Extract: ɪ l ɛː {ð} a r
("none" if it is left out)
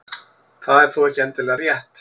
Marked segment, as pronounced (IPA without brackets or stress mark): ɣ